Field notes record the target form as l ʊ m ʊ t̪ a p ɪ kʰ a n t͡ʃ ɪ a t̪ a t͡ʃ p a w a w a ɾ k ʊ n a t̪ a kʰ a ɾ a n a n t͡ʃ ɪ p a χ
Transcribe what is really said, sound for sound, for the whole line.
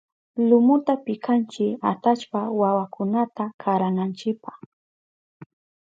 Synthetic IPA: l ʊ m ʊ t̪ a p ɪ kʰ a n t͡ʃ ɪ a t̪ a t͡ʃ p a w a w a k ʊ n a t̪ a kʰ a ɾ a n a n t͡ʃ ɪ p a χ